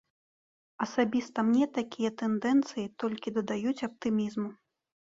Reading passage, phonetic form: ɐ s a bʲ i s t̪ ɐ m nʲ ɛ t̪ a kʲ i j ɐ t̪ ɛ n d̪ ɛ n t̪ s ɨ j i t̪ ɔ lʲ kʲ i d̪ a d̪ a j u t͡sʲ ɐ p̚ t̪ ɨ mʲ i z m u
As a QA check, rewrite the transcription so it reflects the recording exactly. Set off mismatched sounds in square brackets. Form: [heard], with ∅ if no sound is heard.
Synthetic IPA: ɐ s a bʲ i s t̪ ɐ m nʲ ɛ t̪ a kʲ i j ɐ t̪ ɛ n d̪ ɛ n t̪ s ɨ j i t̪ ɔ lʲ kʲ i d̪ [ɐ] d̪ a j u t͡sʲ ɐ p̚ t̪ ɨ mʲ i z m u